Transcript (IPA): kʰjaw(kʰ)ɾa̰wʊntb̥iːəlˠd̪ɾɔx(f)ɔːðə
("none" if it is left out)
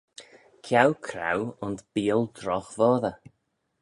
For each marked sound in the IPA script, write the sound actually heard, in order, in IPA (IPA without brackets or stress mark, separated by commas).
kʰ, v